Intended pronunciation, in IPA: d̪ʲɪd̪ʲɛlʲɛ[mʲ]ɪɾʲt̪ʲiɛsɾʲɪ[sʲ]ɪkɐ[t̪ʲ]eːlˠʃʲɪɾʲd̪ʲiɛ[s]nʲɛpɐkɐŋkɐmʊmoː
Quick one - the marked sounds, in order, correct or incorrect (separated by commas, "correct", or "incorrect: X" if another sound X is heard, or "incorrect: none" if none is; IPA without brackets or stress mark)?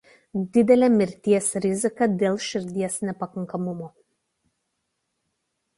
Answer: correct, incorrect: zʲ, incorrect: d̪ʲ, correct